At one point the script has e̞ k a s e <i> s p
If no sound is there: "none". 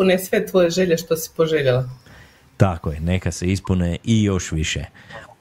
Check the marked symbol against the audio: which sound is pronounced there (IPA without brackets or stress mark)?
i